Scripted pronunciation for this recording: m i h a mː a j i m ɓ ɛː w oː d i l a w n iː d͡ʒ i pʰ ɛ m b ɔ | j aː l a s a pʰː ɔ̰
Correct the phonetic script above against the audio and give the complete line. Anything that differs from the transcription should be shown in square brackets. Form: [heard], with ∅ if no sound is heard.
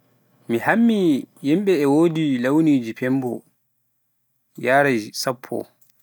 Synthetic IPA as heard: m i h a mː [i] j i m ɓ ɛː w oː d i l a w n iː d͡ʒ i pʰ ɛ m b ɔ | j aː [ɾ] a s a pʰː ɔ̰